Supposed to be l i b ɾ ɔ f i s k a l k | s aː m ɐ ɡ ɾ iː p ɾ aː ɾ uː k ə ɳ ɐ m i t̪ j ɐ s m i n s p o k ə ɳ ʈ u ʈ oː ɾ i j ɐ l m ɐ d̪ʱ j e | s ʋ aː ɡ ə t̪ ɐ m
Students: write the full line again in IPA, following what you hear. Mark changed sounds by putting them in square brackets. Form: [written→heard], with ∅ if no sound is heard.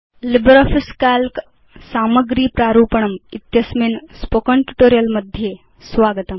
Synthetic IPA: l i b ɾ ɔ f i s k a l k | s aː m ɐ ɡ ɾ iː p ɾ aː ɾ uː [k→p] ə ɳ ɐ m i t̪ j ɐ s m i n s p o k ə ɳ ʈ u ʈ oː ɾ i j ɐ l m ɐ d̪ʱ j e | s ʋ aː ɡ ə t̪ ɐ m